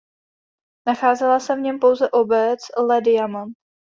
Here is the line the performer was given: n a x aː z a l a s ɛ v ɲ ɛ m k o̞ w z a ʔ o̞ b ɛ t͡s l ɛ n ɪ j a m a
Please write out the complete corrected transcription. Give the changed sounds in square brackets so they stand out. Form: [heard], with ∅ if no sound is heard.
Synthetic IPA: n a x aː z [ɛ] l a s ɛ v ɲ ɛ m [p] o̞ w z [ɛ] ʔ o̞ b ɛ t͡s l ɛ [d] ɪ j a m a